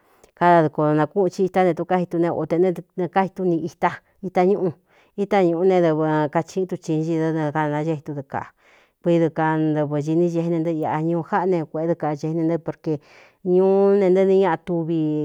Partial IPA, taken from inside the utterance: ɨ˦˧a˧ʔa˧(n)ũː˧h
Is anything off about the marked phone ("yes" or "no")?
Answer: yes